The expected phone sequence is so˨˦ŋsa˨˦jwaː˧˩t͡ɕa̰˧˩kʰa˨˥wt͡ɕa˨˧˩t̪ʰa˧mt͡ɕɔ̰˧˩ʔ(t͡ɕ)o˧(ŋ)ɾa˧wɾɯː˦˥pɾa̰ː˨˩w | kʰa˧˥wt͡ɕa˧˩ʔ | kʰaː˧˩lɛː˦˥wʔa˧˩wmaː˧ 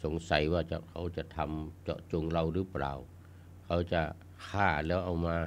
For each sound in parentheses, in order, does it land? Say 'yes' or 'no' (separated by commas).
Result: yes, yes